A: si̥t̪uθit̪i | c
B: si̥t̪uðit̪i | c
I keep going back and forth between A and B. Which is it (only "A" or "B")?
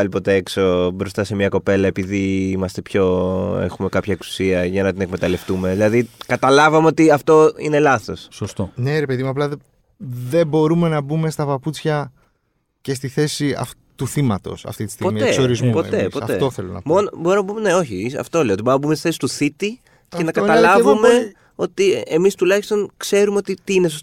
A